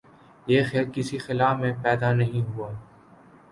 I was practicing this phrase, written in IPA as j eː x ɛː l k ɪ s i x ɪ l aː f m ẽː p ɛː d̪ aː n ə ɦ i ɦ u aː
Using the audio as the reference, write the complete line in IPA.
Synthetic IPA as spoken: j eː x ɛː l k ɪ s i x ɪ l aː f m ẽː p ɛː d̪ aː n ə ɦ ĩ ɦ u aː